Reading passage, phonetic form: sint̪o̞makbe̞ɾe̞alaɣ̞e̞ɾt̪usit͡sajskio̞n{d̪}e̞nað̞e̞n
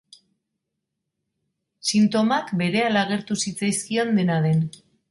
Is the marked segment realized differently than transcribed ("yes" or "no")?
no